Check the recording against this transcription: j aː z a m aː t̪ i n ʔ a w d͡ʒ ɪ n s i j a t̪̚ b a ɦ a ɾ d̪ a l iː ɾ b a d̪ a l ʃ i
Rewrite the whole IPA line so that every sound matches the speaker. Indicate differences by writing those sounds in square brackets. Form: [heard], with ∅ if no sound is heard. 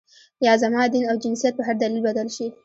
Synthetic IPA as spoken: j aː z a m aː [d̪] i n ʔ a w d͡ʒ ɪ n s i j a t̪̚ b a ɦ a ɾ d̪ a l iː [l] b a d̪ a l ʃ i

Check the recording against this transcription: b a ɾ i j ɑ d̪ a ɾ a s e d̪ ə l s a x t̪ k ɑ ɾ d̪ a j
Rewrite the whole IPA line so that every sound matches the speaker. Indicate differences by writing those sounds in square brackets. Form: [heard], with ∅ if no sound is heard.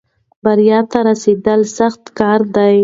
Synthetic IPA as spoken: b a ɾ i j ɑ [t̪] a ɾ a s e d̪ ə l s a x t̪ k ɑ ɾ d̪ a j

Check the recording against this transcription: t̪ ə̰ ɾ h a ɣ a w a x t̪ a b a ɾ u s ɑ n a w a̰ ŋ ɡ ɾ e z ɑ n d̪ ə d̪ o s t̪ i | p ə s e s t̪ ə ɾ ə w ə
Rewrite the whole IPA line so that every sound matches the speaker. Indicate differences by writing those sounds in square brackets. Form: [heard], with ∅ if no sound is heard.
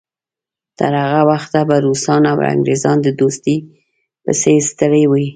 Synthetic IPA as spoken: t̪ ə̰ ɾ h a ɣ a w a x t̪ a b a ɾ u s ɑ n a w a̰ ŋ ɡ ɾ e z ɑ n d̪ ə d̪ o s t̪ i | p ə s e s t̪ ə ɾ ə w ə

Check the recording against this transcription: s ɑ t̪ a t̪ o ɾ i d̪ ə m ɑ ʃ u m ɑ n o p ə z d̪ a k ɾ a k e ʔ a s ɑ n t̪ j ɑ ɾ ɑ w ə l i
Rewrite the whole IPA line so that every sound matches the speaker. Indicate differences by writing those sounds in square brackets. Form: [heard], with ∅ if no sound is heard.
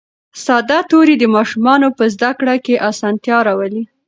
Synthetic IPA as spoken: s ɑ [d̪] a t̪ o ɾ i d̪ ə m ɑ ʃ u m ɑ n o p ə z d̪ a k [ɽ] a k e ʔ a s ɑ n t̪ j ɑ ɾ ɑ w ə l i

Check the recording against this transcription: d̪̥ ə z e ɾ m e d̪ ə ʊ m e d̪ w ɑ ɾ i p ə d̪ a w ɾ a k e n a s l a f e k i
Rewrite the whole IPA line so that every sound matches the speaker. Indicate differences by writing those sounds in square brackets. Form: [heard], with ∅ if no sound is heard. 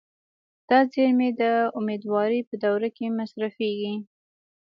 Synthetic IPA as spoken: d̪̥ [ɑ] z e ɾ m e d̪ ə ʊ m e d̪ w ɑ ɾ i p ə d̪ a w ɾ a k e [m] a s [ɾ] a f e [ɡ] i

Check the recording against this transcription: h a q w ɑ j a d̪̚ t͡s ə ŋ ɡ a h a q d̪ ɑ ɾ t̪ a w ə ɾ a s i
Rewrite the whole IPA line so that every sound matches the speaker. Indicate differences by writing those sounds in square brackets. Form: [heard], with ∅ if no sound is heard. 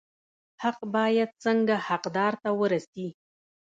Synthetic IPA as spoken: h a q [b] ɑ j a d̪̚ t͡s ə ŋ ɡ a h a q d̪ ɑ ɾ t̪ a w ə ɾ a s i

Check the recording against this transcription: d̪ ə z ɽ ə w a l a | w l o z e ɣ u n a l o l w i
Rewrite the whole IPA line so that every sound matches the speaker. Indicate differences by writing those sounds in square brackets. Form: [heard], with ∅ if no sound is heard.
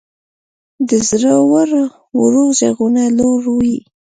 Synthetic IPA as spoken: d̪ ə z [ɾ] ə w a [ɾ] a | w [ɾ] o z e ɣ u n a l o [ɾ] w i

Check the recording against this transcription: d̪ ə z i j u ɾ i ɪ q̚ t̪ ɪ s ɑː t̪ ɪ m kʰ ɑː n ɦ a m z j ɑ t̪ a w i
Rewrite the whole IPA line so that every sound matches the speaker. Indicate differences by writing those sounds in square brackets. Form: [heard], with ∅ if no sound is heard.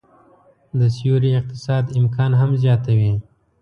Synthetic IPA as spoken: d̪ ə [s] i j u ɾ i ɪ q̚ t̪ ɪ s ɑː [d̪] ɪ m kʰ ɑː n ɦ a m z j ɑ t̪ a w i

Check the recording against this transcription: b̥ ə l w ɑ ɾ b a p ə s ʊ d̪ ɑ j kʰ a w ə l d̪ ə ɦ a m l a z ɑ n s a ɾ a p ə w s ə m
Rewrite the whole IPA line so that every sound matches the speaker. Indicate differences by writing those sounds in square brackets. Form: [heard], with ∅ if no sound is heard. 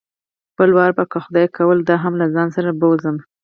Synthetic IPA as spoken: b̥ ə l w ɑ ɾ b a [k] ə [x] ʊ d̪ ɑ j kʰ a w ə l d̪ [ɑ] ɦ a m l a z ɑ n s a ɾ a [b] ə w [z] ə m

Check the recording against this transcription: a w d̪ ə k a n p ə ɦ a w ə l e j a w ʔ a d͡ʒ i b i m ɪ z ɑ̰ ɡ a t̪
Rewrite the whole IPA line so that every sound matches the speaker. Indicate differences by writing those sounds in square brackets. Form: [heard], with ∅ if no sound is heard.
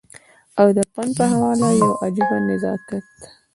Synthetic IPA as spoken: a w d̪ ə [p] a n p ə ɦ a w [ɑ] l [a] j a w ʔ a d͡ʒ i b [a] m ɪ z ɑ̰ [k] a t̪

